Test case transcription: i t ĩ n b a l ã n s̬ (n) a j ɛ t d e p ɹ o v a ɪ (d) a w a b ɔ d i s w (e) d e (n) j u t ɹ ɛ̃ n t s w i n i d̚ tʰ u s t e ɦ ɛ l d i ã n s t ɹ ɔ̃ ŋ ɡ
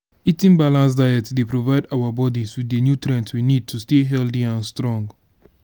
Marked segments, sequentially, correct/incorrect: incorrect: d, correct, incorrect: i, correct

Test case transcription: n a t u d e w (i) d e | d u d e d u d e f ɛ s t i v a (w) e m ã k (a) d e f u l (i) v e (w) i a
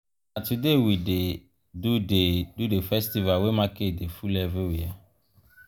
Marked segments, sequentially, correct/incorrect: correct, correct, incorrect: e, incorrect: ɛ, correct

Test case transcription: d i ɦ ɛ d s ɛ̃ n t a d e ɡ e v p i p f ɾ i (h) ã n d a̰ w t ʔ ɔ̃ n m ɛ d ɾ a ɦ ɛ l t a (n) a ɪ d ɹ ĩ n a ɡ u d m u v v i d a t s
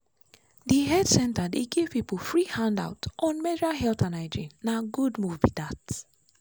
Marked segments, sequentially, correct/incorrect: correct, correct

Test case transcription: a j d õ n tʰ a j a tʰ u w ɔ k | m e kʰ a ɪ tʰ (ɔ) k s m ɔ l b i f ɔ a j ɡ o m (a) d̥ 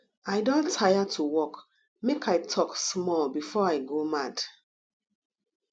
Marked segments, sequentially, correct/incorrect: correct, correct

